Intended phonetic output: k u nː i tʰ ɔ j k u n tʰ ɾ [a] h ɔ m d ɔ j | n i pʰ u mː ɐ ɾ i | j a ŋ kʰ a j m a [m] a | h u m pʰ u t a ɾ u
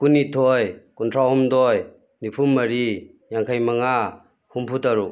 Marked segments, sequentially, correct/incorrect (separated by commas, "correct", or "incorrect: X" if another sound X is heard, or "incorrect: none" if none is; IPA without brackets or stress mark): correct, incorrect: ŋ